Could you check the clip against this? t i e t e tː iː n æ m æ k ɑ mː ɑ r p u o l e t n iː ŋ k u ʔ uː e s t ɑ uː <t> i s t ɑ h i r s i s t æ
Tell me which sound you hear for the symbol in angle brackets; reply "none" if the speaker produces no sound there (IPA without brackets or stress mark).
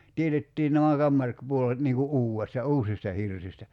s